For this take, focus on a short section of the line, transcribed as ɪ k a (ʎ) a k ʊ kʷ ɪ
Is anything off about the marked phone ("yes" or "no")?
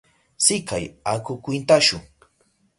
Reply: yes